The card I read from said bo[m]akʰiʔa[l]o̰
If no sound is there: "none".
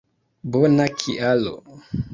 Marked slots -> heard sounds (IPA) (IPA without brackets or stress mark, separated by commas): n, l